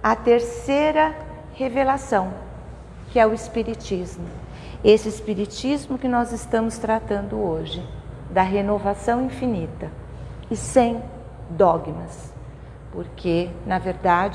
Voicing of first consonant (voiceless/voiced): voiceless